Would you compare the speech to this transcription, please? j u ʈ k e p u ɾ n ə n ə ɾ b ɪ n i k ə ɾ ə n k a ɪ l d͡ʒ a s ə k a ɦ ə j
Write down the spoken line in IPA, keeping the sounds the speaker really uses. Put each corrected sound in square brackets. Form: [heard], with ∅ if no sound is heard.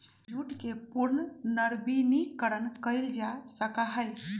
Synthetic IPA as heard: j u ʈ k e p u ɾ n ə n ə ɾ b [i] n i k ə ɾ ə n k [ə] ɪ l d͡ʒ a s ə k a ɦ ə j